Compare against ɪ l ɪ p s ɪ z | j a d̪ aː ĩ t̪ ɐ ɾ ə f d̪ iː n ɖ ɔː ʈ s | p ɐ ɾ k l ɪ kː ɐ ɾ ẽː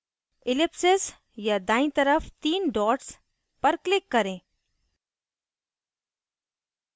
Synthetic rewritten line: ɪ l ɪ p s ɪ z | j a d̪ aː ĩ t̪ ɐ ɾ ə f t̪ iː n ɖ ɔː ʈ s | p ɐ ɾ k l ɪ kː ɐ ɾ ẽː